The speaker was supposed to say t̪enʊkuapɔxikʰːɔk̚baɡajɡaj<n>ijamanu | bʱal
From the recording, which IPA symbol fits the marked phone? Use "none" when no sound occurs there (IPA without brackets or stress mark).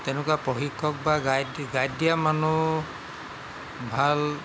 d